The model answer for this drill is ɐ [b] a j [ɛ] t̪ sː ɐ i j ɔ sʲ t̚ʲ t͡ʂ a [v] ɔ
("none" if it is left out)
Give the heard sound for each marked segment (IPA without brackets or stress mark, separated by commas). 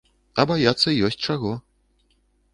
b, a, ɣ